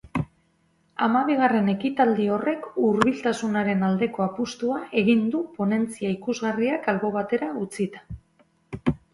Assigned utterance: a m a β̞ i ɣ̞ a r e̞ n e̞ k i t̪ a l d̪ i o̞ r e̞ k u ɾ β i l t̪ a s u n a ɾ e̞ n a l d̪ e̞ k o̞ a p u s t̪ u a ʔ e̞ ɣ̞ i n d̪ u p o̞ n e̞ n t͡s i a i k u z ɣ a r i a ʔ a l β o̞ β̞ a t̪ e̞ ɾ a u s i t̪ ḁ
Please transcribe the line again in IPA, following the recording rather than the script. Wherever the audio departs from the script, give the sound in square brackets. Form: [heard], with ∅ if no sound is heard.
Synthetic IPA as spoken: a m a β̞ i ɣ̞ a r e̞ n e̞ k i t̪ a l d̪ i o̞ r e̞ k u ɾ β i l t̪ a s u n a ɾ e̞ n a l d̪ e̞ k o̞ a p u s t̪ u a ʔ e̞ ɣ̞ i n d̪ u p o̞ n e̞ n t͡s i a i k u z ɣ a r i a [k] a l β o̞ β̞ a t̪ e̞ ɾ a u [t͡s] i t̪ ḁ